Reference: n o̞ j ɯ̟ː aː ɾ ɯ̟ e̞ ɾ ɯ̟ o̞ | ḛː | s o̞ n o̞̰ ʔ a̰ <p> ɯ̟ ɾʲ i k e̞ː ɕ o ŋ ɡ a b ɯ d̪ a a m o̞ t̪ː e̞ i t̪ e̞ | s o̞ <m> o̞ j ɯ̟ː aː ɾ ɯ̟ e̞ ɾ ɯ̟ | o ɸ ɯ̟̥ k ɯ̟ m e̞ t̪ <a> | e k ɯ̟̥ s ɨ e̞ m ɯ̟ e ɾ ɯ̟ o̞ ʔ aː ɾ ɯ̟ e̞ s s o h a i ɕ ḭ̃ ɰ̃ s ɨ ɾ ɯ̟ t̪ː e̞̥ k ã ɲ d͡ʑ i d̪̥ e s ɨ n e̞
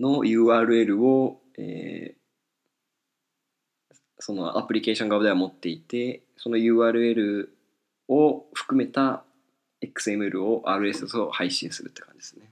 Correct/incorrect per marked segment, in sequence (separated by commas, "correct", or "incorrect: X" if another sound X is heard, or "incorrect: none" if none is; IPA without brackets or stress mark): correct, incorrect: n, correct